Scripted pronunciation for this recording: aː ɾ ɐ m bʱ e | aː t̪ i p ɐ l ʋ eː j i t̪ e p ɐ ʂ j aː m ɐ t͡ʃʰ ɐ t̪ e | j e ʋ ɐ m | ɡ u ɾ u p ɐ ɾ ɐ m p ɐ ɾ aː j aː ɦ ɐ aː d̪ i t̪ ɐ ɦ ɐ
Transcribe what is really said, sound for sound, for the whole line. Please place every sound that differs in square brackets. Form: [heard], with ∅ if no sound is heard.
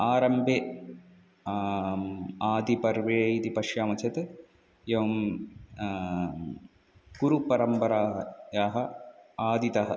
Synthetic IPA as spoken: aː ɾ ɐ m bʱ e | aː [d̪] i p ɐ [ɾ] ʋ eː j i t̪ [i] p ɐ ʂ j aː m ɐ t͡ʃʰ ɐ t̪ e | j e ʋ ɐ m | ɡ u ɾ u p ɐ ɾ ɐ m p ɐ ɾ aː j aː ɦ ɐ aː d̪ i t̪ ɐ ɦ ɐ